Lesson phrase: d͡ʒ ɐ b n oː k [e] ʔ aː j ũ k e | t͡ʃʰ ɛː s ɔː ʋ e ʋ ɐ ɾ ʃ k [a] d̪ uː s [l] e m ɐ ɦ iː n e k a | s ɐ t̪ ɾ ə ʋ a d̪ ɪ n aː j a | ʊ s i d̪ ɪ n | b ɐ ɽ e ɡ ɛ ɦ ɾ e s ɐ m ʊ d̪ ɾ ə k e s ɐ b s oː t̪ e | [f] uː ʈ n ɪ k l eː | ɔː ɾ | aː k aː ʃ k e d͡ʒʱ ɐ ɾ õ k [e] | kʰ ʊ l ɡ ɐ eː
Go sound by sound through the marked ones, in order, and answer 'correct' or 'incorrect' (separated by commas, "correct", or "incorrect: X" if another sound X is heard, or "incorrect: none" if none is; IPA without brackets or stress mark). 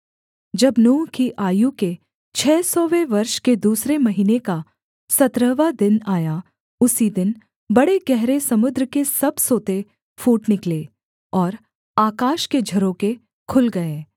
incorrect: i, incorrect: e, incorrect: ɾ, correct, correct